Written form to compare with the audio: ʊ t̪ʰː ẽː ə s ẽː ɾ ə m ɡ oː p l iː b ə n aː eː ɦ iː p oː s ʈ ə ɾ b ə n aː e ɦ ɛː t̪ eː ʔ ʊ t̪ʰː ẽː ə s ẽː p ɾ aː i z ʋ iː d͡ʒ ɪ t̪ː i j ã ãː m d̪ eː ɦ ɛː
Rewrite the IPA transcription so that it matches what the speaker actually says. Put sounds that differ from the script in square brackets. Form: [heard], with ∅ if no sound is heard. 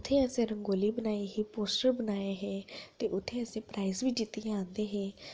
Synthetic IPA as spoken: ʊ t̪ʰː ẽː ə s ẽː ɾ ə [ŋ] ɡ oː [∅] l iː b ə n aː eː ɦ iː p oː s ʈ ə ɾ b ə n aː e ɦ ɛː t̪ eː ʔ ʊ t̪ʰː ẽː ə s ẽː p ɾ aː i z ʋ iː d͡ʒ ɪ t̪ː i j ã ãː [n] d̪ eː ɦ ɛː